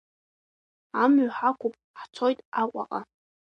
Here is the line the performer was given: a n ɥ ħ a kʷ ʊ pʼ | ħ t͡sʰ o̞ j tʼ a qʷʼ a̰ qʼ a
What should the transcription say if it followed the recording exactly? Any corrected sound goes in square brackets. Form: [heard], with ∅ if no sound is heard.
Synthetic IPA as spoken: a [m] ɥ ħ a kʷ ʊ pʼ | ħ t͡sʰ o̞ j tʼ a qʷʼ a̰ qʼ a